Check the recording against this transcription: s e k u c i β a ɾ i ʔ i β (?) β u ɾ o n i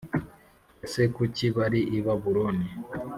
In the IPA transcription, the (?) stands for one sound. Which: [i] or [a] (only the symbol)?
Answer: a